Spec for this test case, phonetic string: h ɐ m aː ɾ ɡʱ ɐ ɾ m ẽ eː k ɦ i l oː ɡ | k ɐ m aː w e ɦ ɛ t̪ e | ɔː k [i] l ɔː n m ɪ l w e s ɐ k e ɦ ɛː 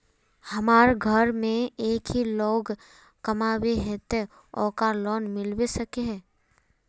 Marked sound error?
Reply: yes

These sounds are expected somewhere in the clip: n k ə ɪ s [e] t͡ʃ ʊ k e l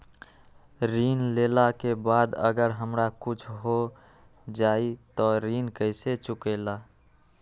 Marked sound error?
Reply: no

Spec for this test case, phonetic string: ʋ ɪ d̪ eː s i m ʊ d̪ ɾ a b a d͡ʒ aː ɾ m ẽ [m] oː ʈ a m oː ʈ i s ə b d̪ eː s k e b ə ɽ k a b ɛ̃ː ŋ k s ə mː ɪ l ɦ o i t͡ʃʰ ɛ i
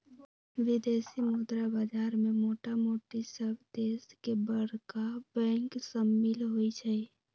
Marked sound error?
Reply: no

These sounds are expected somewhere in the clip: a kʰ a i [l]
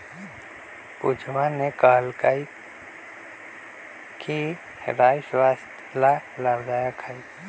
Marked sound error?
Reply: yes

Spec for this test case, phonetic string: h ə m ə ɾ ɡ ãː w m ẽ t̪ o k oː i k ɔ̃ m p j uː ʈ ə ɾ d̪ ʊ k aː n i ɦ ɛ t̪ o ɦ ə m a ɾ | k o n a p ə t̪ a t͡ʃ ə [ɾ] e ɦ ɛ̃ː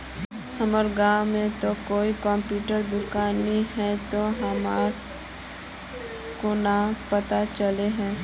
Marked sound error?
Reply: yes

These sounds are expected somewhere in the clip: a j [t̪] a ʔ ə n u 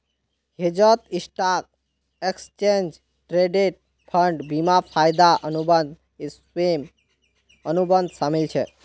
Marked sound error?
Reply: yes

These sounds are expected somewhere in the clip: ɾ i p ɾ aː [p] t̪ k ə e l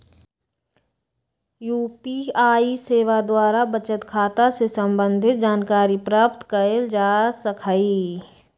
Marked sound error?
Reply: no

